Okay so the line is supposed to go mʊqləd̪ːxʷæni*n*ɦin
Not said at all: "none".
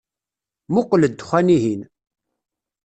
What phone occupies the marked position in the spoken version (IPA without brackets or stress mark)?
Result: none